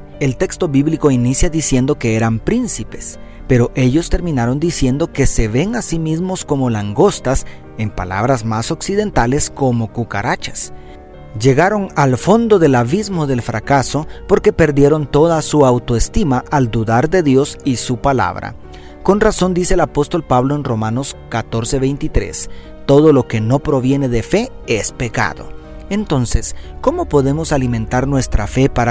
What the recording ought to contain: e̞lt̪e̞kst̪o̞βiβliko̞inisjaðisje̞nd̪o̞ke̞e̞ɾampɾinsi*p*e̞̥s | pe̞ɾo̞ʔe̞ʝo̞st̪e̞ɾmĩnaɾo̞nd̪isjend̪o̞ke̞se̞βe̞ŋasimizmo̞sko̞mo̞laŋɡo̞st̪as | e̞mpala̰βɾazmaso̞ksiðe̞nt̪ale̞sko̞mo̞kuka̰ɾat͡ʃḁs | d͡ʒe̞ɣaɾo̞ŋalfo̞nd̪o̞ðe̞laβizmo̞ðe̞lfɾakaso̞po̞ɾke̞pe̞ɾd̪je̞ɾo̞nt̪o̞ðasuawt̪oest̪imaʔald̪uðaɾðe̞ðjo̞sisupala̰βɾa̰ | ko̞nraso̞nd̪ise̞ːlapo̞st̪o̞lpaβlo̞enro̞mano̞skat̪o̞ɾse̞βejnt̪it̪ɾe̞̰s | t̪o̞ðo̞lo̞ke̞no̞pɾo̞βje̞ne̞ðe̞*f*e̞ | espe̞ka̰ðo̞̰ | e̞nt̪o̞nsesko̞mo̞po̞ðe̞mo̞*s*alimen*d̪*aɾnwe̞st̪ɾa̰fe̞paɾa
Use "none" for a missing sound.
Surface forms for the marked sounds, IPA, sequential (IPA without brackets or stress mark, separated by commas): p, f, s, t̪